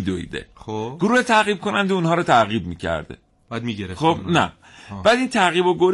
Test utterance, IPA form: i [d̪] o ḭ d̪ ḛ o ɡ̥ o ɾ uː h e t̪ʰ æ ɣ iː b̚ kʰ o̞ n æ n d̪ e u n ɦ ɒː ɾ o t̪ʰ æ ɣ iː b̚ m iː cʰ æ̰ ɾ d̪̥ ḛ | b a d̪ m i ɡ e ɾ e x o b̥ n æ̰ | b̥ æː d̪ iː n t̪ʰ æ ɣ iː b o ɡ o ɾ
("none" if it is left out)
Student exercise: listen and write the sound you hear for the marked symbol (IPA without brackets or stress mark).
d̪